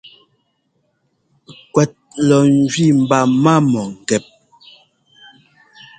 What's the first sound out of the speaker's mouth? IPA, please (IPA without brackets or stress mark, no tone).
k